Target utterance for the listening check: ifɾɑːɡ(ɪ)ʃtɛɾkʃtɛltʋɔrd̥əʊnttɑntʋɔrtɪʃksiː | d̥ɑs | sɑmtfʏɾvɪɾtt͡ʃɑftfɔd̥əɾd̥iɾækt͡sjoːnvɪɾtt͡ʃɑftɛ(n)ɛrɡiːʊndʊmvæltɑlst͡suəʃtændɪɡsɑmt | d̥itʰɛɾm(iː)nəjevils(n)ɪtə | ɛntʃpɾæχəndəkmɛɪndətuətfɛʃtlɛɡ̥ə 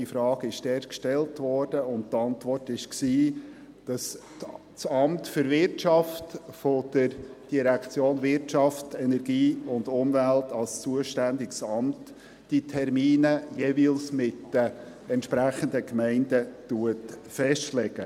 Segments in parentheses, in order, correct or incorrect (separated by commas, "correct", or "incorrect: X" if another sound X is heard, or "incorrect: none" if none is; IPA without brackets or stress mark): correct, correct, correct, incorrect: m